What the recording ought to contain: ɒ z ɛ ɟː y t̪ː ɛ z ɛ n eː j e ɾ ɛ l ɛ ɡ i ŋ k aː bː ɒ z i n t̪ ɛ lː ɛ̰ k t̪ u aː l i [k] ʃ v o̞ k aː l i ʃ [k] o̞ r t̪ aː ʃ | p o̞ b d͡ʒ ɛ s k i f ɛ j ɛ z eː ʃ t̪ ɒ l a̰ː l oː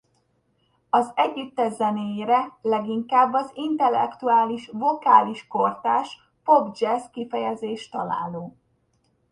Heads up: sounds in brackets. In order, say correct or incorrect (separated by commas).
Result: incorrect, correct